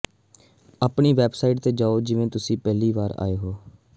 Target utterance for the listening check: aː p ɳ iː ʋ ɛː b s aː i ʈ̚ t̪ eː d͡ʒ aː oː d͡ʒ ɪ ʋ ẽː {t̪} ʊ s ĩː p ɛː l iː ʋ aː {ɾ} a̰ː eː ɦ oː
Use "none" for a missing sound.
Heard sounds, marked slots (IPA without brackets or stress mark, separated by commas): t̪, ɾ